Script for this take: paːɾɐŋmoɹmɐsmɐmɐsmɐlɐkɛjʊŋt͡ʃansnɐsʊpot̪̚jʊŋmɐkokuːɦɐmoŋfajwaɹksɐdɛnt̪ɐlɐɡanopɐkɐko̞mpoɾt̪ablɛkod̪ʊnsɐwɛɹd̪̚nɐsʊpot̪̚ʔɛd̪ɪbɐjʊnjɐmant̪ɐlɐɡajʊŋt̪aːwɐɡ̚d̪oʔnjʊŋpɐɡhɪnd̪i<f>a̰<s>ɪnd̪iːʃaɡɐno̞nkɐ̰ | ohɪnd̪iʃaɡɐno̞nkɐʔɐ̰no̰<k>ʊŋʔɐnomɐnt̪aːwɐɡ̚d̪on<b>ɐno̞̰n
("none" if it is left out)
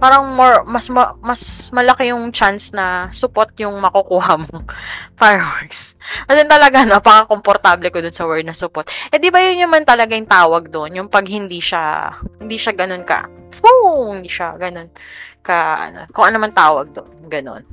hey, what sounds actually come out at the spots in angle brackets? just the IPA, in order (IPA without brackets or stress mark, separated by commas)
ʃ, h, k, ɡ